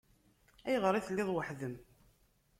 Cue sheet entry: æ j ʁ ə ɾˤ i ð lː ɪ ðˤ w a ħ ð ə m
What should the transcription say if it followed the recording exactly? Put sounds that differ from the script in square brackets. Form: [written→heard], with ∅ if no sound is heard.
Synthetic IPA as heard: æ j ʁ ə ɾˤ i [ð→θ] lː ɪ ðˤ w [a→ə] ħ ð ə m